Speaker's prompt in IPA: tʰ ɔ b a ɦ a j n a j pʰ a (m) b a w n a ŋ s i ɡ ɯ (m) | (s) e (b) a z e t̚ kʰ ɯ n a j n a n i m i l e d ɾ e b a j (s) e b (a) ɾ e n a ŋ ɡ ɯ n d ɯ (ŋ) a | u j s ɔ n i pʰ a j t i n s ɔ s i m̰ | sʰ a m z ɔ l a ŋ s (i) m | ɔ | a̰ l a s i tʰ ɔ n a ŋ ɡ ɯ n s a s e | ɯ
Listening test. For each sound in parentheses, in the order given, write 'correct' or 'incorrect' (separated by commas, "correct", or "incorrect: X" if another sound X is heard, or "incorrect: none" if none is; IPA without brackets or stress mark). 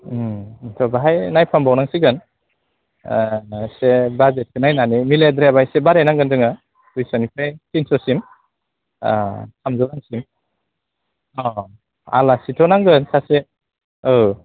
correct, incorrect: n, correct, correct, correct, correct, correct, correct